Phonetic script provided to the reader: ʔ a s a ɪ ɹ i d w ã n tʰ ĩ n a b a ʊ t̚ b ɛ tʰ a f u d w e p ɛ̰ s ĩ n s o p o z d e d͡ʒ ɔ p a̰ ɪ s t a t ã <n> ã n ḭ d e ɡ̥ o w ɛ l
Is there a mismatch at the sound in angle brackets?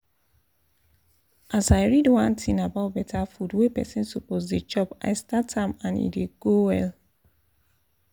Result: yes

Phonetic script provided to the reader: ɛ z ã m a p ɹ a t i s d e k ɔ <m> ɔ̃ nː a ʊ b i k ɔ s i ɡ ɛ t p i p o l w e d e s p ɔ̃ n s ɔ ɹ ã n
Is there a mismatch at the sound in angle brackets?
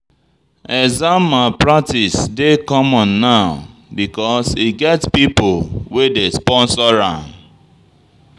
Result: no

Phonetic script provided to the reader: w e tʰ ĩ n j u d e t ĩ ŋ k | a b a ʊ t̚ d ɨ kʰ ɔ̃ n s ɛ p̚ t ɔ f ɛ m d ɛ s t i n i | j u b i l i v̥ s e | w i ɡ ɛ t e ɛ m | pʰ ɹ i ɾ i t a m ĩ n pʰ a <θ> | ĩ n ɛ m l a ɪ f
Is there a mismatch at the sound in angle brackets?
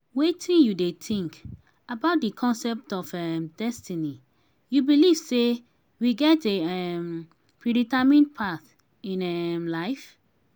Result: no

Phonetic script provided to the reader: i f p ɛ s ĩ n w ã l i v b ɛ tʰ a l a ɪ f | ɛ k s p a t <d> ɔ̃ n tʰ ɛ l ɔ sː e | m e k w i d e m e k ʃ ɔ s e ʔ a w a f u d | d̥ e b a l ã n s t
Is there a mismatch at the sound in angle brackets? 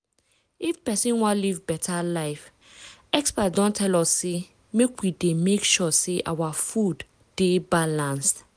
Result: no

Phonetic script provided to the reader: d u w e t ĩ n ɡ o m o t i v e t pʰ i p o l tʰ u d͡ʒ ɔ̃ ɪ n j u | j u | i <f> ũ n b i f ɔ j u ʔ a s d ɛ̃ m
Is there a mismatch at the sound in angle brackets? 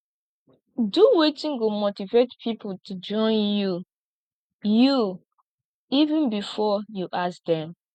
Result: yes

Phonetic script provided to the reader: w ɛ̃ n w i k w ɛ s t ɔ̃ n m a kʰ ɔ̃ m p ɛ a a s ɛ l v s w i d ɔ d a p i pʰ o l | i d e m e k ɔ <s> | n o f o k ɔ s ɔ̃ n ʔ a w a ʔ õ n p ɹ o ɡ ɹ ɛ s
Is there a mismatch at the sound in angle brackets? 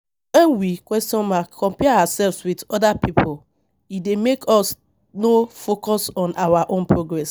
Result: no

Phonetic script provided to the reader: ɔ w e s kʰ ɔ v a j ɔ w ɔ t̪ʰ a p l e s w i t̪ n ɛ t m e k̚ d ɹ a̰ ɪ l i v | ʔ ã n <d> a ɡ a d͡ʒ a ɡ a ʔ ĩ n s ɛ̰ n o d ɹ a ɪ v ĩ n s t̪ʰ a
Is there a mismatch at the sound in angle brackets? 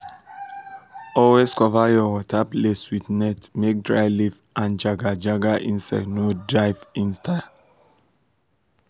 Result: yes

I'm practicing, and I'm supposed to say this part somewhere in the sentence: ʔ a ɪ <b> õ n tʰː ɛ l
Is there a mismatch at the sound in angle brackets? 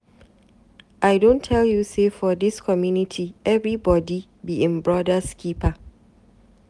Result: yes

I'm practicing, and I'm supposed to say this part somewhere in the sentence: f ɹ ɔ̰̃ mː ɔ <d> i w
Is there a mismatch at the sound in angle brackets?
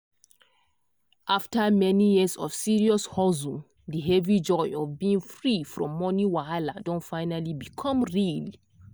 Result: yes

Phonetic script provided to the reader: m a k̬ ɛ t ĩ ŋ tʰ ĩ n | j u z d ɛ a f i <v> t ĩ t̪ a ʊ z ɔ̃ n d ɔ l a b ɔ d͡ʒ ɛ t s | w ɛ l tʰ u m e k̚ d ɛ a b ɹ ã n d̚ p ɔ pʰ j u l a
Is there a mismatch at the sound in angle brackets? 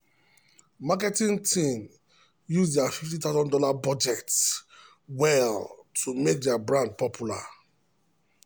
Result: yes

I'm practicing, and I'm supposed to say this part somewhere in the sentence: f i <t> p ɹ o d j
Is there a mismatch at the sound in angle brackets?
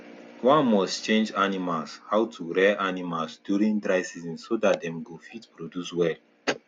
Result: no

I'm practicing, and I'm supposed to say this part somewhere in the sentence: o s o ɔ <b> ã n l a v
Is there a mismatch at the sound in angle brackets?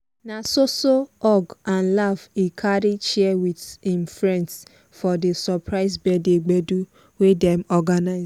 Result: yes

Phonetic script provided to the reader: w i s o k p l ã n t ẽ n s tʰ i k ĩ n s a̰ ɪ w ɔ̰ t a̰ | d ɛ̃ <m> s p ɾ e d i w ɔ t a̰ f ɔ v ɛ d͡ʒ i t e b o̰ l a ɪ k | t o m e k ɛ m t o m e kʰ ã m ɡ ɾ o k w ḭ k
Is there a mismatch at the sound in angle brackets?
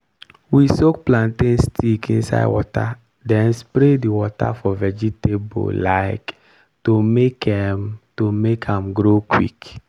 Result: yes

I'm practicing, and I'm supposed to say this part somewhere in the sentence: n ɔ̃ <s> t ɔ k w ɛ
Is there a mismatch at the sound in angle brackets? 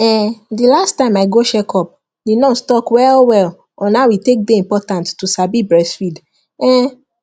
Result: no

